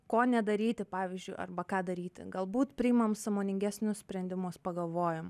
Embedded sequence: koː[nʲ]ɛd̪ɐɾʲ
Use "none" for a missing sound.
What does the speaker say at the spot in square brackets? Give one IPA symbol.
nʲ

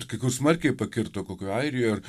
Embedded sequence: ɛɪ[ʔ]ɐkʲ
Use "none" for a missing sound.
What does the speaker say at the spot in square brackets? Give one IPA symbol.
p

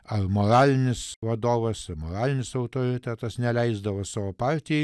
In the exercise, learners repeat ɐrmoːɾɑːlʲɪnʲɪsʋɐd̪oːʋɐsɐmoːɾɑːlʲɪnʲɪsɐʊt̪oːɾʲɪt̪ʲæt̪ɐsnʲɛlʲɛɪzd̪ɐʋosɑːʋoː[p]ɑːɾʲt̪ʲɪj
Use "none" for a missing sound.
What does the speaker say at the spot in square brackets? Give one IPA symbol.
p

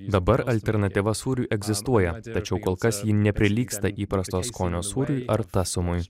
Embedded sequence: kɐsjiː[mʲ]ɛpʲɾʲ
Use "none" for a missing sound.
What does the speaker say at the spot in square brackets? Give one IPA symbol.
nʲ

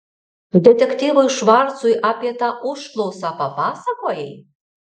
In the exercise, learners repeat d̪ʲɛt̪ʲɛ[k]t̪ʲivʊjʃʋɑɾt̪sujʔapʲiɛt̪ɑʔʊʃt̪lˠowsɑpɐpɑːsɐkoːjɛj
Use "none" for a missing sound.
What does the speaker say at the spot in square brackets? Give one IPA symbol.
k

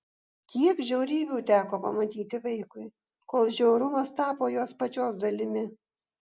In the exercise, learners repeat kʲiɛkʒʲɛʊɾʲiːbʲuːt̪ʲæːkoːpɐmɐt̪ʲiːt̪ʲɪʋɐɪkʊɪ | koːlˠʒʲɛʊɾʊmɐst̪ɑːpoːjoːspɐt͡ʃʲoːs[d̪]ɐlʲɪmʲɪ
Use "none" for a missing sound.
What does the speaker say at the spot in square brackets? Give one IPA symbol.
d̪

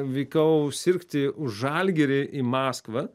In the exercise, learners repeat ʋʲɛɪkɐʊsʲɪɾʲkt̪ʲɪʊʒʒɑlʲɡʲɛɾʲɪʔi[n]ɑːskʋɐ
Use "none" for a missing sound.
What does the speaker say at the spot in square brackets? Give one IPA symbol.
m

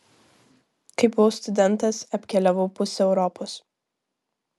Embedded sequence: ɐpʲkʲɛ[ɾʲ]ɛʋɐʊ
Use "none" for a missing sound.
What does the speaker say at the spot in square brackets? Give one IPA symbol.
lʲ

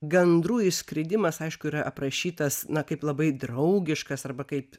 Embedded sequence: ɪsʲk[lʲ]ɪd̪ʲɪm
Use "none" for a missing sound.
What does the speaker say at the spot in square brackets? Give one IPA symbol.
ɾʲ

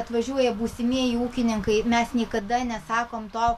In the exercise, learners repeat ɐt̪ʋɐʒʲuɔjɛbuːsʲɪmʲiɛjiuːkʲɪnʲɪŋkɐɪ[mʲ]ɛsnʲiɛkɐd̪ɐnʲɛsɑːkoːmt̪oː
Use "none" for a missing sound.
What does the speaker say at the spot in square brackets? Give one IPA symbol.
mʲ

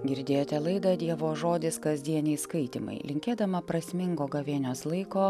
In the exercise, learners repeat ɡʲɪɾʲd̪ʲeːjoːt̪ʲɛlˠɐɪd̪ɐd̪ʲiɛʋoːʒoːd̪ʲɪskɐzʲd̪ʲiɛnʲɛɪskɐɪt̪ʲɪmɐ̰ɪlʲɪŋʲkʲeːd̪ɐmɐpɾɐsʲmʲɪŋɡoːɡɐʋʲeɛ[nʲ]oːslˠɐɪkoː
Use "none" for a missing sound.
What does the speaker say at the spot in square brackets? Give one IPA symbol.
nʲ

